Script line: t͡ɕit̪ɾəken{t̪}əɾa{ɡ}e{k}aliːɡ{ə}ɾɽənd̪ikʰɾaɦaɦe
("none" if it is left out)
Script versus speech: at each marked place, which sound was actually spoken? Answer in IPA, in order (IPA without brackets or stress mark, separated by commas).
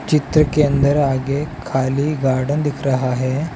d̪, ɡ, kʰ, a